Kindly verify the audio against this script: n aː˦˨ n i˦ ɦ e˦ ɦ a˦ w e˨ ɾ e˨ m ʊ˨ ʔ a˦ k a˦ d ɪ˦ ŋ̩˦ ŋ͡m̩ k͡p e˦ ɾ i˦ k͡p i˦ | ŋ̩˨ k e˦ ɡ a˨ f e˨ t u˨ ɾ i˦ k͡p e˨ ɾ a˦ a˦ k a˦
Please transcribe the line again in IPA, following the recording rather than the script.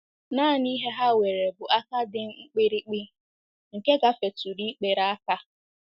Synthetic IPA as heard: n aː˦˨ n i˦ ɦ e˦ ɦ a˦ w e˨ ɾ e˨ b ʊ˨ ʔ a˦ k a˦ d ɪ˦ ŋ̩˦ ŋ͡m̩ k͡p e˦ ɾ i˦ k͡p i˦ | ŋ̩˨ k e˦ ɡ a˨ f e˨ t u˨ ɾ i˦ k͡p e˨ ɾ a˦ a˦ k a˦